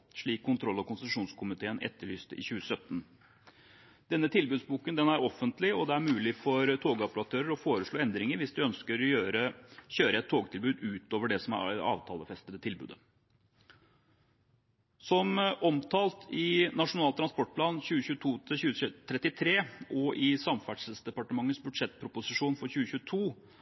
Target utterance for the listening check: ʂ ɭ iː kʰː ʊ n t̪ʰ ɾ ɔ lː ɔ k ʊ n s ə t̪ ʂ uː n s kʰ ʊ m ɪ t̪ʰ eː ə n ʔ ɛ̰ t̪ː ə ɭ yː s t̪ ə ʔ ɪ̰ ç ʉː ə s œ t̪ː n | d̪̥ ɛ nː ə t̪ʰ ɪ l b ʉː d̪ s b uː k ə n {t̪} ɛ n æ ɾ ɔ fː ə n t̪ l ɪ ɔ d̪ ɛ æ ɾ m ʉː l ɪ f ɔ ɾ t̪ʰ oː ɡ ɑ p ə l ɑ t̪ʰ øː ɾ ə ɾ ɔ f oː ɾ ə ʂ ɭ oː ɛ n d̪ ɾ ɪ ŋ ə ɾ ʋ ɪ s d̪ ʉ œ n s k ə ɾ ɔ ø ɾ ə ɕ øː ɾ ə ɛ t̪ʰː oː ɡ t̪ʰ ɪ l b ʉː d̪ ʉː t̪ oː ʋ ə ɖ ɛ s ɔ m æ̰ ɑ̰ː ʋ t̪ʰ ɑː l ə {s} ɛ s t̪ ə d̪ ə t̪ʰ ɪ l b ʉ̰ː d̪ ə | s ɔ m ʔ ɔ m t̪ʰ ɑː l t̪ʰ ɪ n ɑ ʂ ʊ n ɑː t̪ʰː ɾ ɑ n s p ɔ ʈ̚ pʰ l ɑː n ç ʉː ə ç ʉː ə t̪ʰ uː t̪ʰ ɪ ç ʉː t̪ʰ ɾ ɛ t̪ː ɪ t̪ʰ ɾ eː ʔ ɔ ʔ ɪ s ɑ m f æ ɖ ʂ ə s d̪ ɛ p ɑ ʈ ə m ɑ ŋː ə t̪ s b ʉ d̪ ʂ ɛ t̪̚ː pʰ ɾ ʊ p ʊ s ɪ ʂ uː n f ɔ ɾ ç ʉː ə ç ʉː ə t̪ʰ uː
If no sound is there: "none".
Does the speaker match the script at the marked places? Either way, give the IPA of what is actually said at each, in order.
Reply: d̪, f

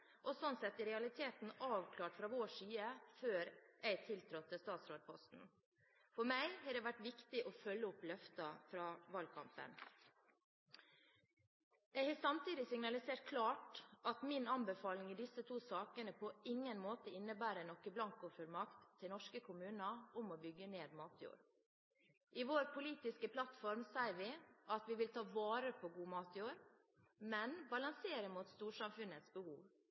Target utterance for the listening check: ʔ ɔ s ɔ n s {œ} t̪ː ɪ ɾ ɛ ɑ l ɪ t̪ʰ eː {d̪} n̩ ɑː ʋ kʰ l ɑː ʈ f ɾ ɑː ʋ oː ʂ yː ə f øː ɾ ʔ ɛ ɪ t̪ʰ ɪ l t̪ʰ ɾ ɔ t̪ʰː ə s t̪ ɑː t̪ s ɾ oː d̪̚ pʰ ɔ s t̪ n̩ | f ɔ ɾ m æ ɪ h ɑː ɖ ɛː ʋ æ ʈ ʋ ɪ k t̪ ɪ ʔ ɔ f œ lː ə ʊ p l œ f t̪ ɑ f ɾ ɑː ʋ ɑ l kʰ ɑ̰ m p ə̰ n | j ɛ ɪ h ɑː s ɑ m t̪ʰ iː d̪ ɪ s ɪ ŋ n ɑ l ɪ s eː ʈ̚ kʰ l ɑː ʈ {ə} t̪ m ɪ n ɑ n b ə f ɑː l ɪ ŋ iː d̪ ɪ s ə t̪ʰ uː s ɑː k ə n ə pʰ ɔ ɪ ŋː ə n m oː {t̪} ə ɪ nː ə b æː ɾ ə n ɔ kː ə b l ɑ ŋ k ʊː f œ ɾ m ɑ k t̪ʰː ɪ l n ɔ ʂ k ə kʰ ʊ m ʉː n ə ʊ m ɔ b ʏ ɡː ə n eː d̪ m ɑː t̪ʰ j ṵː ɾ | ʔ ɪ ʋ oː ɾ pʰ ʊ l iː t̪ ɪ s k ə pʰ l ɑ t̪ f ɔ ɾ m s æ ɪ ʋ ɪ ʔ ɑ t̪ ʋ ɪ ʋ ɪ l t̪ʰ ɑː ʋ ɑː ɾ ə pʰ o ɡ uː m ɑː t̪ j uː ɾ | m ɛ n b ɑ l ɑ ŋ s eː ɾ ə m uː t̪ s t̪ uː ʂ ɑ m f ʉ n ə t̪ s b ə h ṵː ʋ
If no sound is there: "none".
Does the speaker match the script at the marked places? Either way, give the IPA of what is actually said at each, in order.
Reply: ɛ, t̪, ɑ, t̪

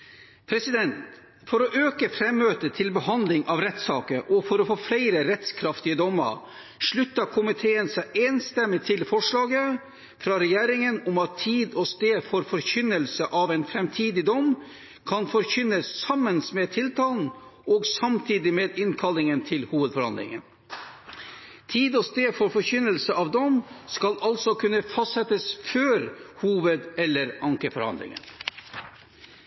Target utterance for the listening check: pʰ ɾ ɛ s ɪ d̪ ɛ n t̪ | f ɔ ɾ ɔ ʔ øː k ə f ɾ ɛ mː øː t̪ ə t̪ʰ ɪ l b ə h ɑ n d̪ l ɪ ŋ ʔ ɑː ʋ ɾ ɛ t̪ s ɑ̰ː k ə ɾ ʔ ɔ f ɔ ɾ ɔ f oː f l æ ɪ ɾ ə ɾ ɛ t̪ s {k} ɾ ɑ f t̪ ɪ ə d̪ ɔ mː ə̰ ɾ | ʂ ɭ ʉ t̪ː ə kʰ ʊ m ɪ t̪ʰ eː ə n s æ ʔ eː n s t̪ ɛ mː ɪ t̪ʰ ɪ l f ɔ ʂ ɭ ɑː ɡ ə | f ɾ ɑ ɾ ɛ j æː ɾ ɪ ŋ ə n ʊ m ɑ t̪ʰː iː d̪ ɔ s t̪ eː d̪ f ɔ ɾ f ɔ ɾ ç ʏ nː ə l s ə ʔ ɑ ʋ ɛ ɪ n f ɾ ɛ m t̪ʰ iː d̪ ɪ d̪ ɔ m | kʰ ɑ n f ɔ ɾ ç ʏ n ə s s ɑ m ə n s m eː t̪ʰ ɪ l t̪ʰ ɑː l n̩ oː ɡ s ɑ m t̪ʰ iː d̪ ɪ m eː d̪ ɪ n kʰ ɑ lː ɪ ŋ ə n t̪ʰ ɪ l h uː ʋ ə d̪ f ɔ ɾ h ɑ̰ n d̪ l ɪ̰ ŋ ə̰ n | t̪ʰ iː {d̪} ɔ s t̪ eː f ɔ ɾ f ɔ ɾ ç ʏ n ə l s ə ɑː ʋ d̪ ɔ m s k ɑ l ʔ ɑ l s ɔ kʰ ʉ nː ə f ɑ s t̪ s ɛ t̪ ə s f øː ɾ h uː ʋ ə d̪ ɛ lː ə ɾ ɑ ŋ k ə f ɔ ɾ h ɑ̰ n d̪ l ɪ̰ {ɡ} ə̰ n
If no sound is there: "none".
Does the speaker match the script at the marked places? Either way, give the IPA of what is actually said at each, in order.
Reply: kʰ, d̪, ŋ

